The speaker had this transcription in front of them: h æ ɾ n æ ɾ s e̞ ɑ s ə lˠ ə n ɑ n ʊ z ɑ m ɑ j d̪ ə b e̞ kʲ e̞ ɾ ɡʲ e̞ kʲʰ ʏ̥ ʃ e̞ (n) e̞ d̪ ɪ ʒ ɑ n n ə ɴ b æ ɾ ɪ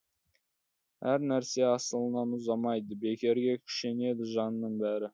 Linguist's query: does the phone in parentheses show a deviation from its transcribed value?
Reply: no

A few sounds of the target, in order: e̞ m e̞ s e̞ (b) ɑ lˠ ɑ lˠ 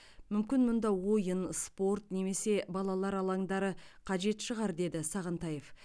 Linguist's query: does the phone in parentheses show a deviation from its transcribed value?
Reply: no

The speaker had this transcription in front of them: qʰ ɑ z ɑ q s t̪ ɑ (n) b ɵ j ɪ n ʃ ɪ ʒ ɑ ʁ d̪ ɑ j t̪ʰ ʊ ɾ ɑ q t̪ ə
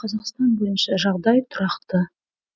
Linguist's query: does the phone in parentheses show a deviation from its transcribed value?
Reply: no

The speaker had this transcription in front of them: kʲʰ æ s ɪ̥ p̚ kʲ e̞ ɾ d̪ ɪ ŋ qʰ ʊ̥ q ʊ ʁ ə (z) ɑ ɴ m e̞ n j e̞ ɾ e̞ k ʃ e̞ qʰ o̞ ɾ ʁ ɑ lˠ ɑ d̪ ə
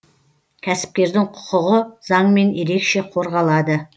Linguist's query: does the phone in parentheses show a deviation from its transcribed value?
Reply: no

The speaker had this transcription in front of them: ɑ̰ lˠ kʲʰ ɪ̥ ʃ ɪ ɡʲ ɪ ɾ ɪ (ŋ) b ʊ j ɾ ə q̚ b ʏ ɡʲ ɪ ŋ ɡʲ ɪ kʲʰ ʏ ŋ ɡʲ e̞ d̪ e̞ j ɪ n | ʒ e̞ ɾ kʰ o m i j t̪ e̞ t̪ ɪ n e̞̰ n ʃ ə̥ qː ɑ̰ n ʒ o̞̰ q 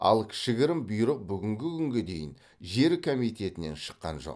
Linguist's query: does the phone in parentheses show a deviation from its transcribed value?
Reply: yes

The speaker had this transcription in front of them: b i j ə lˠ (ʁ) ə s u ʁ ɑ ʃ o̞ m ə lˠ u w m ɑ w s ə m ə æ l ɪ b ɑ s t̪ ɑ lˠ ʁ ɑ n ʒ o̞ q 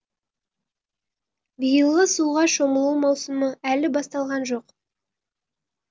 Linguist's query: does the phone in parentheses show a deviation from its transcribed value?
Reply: no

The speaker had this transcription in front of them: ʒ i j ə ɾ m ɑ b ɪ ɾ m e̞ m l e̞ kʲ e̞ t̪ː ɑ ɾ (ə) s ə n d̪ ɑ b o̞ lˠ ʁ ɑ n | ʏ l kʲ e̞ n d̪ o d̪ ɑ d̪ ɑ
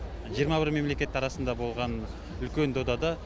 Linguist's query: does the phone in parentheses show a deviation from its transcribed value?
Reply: yes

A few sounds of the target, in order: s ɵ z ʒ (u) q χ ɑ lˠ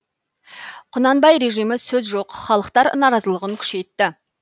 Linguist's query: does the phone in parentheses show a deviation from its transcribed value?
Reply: yes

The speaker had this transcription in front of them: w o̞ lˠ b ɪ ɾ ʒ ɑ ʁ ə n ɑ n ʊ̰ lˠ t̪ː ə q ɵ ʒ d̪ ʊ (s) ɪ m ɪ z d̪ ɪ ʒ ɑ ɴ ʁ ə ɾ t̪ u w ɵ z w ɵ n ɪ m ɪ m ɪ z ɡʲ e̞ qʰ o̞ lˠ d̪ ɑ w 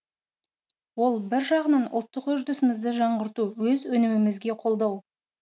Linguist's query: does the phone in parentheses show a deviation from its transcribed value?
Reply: no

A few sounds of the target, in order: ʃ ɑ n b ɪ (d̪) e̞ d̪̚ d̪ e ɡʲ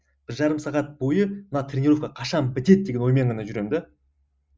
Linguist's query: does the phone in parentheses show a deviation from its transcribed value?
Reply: yes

